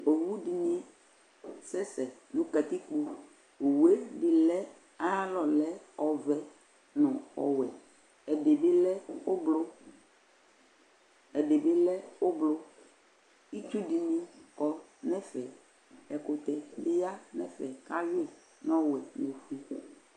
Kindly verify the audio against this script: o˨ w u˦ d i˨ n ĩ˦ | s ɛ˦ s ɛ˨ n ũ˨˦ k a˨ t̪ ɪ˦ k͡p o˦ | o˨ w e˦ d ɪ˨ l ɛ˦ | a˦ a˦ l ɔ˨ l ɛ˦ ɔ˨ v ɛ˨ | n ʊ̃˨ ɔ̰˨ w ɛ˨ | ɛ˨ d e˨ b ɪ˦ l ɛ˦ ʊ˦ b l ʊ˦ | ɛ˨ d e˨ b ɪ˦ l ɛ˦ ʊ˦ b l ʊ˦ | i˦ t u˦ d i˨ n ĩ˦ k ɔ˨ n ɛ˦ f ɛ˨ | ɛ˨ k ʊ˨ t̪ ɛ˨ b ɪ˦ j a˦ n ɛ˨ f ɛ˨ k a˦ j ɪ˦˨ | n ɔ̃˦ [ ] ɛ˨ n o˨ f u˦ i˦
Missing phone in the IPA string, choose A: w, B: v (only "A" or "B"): A